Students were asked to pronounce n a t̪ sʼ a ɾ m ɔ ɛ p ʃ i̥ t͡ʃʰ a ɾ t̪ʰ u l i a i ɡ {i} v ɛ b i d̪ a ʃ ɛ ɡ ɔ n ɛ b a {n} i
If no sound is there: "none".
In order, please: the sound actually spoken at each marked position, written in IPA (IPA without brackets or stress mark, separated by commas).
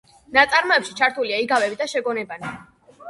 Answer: a, n